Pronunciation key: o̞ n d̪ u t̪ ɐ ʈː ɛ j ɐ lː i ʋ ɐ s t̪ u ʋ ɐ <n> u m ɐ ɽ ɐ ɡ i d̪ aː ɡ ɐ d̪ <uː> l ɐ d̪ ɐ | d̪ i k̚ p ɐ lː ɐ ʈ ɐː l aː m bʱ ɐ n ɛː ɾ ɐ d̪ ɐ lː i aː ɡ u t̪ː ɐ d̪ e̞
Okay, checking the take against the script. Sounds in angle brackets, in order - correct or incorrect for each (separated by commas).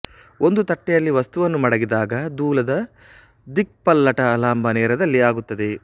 incorrect, correct